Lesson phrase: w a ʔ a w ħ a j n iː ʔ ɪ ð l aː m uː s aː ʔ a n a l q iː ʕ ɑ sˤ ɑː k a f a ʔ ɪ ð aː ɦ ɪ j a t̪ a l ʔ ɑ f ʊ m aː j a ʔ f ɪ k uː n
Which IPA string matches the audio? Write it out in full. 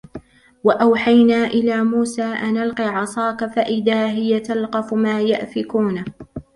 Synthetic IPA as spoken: w a ʔ a w ħ a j n aː ʔ ɪ l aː m uː s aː ʔ a n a l q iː ʕ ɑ sˤ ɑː k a f a ʔ ɪ ð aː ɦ ɪ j a t̪ a l q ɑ f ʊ m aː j a ʔ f ɪ k uː n

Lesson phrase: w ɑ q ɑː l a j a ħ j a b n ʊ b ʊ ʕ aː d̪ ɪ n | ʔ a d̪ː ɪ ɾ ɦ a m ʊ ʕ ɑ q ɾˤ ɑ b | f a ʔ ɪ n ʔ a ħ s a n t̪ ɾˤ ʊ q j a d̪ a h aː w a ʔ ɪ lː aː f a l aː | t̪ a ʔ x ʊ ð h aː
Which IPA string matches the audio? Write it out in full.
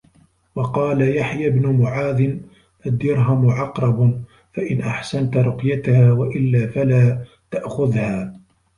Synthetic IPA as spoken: w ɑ q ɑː l a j a ħ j a b n ʊ m ʊ ʕ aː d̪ ɪ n | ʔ a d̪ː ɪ ɾ ɦ a m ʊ ʕ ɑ q ɾˤ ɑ b | f a ʔ ɪ n ʔ a ħ s a n t̪ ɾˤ ʊ q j a t̪ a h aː w a ʔ ɪ lː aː f a l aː | t̪ a ʔ x ʊ ð h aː

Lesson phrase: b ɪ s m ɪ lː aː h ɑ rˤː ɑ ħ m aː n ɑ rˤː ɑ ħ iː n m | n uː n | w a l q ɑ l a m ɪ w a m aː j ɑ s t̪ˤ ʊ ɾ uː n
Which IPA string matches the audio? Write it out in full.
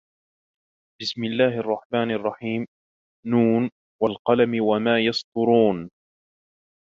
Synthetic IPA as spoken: b ɪ s m ɪ lː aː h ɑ rˤː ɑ ħ m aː n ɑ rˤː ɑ ħ iː m | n uː n | w a l q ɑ l a m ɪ w a m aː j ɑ s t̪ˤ ʊ ɾ uː n

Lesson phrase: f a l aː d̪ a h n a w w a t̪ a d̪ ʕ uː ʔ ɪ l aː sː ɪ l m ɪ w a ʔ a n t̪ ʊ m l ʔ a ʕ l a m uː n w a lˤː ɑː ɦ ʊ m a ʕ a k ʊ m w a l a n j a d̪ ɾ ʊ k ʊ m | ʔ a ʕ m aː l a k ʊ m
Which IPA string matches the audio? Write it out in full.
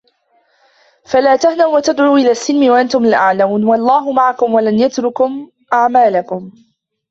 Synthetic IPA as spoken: f a l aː t̪ a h n a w w a t̪ a d̪ ʕ uː ʔ ɪ l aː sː ɪ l m ɪ w a ʔ a n t̪ ʊ m l ʔ a ʕ l a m uː n w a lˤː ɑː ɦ ʊ m a ʕ a k ʊ m w a l a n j a t̪ ɾ ʊ k ʊ m | ʔ a ʕ m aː l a k ʊ m

